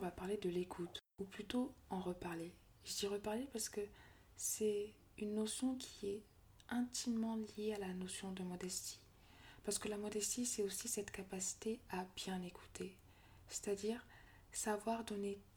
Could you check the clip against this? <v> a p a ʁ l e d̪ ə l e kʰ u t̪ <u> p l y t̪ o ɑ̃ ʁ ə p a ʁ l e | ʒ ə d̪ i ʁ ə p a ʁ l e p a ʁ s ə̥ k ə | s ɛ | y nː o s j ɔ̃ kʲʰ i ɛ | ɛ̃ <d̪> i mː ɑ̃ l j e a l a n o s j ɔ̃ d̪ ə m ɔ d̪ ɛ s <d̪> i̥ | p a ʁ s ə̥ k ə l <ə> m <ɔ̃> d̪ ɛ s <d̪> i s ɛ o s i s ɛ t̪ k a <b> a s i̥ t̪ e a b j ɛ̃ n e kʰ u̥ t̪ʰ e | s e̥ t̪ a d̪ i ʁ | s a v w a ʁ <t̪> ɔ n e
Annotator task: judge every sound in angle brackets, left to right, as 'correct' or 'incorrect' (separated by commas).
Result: correct, correct, incorrect, incorrect, incorrect, incorrect, incorrect, incorrect, incorrect